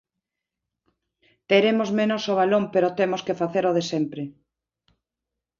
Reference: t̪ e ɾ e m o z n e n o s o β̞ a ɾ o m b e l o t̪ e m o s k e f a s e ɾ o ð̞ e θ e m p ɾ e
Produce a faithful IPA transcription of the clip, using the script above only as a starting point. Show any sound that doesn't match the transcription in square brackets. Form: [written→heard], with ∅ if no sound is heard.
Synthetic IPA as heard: t̪ e ɾ e m o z [n→m] e n o s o β̞ a [ɾ→l] o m [b→p] e [l→ɾ] o t̪ e m o s k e f a [s→θ] e ɾ o ð̞ e [θ→s] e m p ɾ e